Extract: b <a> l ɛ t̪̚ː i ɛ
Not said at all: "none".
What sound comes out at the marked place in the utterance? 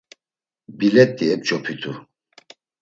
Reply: i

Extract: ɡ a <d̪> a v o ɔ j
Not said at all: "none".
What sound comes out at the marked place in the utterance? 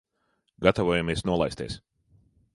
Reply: t̪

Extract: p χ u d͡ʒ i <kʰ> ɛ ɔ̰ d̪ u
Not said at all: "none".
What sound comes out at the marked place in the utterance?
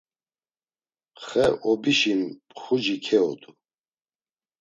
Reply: kʰ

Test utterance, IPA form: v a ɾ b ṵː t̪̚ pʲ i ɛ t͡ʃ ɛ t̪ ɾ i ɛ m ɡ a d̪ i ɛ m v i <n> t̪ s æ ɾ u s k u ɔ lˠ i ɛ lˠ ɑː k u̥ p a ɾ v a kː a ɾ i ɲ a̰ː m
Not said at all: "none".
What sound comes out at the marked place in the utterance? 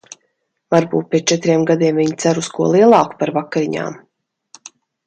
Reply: ɲ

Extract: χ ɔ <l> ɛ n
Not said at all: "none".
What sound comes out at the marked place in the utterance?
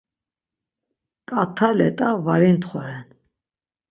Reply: ɾ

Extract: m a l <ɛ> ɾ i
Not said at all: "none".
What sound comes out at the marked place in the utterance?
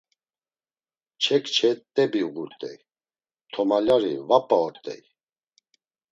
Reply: a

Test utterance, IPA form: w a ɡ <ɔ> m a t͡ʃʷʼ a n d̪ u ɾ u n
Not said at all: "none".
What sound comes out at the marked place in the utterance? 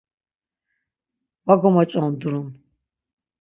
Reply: ɔ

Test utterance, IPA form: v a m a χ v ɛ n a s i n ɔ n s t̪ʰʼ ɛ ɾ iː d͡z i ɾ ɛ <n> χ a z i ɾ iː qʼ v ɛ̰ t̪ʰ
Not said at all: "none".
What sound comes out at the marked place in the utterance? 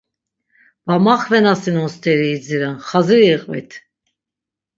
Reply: n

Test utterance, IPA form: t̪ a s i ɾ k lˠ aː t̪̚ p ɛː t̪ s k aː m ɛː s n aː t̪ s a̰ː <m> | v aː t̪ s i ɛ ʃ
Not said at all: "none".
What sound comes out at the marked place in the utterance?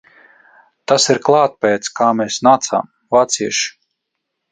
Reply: m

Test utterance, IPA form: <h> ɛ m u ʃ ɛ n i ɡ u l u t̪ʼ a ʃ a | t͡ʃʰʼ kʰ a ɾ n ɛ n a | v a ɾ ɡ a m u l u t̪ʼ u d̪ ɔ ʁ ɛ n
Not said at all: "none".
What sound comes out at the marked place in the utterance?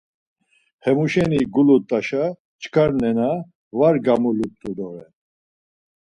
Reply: h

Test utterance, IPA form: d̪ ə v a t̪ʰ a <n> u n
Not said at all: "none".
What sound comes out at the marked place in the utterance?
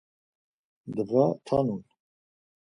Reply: n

